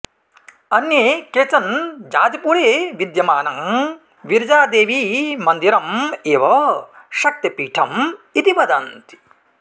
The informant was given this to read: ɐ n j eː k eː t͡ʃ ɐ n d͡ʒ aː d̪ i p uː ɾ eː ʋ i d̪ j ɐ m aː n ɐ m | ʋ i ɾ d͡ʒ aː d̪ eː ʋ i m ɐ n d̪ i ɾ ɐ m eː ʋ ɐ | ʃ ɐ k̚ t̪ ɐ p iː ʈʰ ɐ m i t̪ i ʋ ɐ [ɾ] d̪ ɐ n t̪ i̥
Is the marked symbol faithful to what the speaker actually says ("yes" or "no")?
no